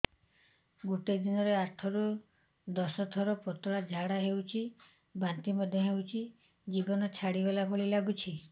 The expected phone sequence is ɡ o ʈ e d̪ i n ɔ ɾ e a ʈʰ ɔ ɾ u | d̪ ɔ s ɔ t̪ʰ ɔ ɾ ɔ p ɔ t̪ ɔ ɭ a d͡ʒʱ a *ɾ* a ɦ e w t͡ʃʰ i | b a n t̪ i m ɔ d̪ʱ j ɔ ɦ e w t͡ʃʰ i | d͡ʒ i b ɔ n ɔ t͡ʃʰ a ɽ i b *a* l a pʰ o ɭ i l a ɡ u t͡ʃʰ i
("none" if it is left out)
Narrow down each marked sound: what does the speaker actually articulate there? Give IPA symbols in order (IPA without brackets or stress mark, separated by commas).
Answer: ɽ, e